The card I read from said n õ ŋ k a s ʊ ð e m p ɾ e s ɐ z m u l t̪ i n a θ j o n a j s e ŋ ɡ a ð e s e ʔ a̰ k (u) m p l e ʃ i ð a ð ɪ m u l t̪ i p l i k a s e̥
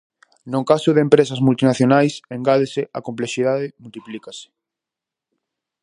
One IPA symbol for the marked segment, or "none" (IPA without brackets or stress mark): o